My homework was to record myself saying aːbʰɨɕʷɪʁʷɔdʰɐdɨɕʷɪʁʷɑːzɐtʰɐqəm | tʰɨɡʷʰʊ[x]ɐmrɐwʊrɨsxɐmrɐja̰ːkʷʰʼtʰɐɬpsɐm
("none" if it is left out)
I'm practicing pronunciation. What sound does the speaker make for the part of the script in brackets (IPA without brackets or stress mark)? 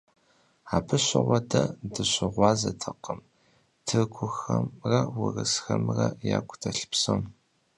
x